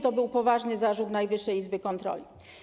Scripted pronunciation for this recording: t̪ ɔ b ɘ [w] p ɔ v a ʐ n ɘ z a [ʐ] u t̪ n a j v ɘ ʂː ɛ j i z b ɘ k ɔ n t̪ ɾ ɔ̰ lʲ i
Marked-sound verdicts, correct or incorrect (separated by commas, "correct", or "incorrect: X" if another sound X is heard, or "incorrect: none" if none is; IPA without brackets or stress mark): correct, correct